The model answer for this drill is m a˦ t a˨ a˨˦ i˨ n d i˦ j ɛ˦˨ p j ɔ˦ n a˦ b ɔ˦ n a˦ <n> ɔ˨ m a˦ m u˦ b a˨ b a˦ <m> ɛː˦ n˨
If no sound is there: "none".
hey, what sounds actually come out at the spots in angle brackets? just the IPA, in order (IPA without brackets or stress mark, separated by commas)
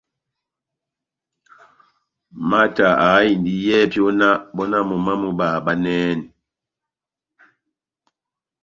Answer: m, n